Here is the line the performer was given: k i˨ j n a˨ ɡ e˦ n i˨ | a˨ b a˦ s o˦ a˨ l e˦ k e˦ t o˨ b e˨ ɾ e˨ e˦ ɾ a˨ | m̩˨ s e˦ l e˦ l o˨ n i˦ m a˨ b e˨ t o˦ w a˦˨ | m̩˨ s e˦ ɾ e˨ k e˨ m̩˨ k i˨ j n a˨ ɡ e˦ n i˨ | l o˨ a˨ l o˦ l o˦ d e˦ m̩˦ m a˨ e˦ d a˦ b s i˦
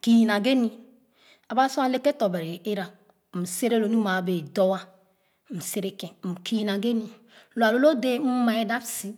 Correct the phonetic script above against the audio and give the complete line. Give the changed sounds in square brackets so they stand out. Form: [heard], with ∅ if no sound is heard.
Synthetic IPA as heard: k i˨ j n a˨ ɡ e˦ n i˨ | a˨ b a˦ s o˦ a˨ l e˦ k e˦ t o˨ b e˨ ɾ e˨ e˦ ɾ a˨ | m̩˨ s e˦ [ɾ] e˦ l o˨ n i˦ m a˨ b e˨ [d] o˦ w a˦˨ | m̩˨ s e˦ ɾ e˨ k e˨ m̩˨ k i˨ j n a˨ ɡ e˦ n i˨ | l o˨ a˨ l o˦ l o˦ d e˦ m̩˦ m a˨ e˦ d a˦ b s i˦